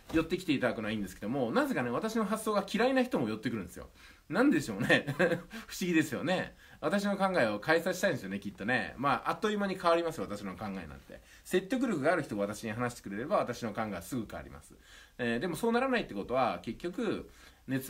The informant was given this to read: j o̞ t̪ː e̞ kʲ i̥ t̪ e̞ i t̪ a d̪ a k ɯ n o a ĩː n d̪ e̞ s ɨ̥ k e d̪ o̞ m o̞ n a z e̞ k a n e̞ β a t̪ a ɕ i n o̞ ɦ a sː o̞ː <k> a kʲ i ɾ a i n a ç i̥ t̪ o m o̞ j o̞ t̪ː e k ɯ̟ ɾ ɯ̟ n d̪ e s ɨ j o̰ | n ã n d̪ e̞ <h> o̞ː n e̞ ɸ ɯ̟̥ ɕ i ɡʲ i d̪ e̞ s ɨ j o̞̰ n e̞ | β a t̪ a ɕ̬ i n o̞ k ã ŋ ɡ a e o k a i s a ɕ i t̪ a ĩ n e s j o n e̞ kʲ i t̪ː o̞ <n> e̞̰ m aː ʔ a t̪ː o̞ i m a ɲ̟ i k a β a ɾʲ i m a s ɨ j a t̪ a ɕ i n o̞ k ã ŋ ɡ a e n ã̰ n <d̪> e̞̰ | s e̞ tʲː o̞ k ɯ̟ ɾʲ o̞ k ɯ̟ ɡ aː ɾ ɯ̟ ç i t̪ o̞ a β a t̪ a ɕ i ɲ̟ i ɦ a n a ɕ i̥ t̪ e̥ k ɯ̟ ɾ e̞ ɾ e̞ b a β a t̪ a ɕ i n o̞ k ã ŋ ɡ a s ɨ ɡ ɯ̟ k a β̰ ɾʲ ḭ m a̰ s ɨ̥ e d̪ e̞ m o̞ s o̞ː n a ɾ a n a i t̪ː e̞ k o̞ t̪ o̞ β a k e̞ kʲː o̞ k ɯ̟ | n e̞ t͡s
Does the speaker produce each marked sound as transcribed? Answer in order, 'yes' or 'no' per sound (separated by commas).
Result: no, no, yes, no